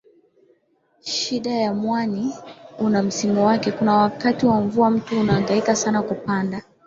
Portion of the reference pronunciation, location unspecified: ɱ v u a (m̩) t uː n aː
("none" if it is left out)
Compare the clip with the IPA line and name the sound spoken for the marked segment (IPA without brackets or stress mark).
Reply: m̩